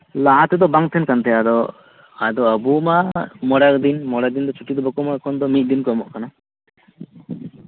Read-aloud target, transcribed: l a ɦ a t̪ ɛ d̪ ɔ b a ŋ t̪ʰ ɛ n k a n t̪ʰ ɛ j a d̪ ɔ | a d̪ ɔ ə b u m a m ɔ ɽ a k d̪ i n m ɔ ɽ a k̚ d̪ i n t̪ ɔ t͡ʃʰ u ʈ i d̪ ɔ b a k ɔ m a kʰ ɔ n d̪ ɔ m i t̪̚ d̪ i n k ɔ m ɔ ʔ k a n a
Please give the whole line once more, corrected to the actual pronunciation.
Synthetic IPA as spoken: l a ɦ a t̪ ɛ d̪ ɔ b a ŋ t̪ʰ ɛ n k a n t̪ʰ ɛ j a d̪ ɔ | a d̪ ɔ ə b u m a m ɔ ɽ a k d̪ i n m ɔ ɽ a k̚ d̪ i n d̪ ɔ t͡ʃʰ u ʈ i d̪ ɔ b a k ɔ m a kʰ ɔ n d̪ ɔ m i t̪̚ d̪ i n k ɔ m ɔ ʔ k a n a